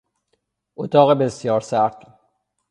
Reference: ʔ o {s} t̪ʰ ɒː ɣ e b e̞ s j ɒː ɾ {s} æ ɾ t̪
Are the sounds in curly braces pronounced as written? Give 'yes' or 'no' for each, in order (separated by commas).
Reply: no, yes